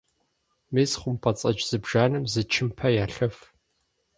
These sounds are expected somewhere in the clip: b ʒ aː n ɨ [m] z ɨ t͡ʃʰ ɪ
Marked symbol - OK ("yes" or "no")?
yes